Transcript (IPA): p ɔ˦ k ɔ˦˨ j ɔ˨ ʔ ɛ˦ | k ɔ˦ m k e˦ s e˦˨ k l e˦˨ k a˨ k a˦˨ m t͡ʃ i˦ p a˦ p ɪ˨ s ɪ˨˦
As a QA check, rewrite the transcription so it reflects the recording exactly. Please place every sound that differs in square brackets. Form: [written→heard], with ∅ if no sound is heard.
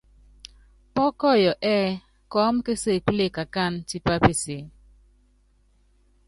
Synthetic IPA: p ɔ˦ k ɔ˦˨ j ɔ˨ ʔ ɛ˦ | k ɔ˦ m k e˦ s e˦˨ k l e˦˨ k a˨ k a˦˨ [m→n] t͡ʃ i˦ p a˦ p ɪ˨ s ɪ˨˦